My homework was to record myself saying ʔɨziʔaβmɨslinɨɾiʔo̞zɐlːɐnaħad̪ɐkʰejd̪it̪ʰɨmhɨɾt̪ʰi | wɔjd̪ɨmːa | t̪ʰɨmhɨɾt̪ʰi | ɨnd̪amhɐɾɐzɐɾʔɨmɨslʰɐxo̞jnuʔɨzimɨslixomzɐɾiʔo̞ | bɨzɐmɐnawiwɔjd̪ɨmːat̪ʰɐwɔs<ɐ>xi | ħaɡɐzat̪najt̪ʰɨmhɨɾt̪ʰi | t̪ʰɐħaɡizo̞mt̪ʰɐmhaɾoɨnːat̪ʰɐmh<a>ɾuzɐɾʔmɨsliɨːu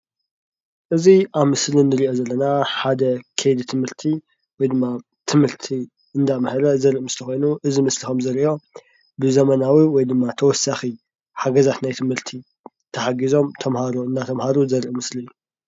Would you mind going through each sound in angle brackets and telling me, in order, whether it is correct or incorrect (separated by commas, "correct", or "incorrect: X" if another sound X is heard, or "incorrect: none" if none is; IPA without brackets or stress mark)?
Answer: incorrect: a, correct